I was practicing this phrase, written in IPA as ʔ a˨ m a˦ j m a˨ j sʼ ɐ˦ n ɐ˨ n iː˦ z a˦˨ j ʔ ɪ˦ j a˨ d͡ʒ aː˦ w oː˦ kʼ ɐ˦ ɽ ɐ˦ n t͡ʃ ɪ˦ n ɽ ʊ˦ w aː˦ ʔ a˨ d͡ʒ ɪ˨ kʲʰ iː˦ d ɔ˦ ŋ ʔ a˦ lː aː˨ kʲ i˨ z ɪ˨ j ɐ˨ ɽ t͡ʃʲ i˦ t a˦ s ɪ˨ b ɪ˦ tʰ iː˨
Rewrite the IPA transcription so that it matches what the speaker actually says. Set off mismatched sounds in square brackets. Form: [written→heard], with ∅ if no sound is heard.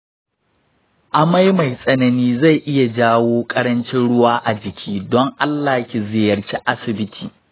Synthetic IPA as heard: ʔ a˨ m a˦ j m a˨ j sʼ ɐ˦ n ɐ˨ n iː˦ z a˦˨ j ʔ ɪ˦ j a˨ d͡ʒ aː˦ w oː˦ kʼ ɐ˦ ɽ ɐ˦ n t͡ʃ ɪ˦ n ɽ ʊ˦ w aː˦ ʔ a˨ d͡ʒ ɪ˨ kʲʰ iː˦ d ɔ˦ ŋ ʔ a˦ lː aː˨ kʲ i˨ z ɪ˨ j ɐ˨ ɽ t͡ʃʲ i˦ [t→ʔ] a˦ s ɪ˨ b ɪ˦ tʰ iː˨